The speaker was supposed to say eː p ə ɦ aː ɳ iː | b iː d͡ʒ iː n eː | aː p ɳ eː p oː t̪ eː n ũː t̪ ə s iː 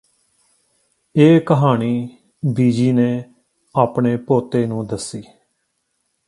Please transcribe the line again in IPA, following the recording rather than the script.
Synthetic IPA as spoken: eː k ə ɦ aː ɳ iː | b iː d͡ʒ iː n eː | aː p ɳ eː p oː t̪ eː n ũː d̪ ə s iː